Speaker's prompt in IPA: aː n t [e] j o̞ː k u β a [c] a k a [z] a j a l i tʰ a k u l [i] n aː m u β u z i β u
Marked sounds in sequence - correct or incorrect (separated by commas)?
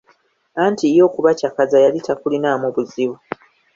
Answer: incorrect, correct, correct, correct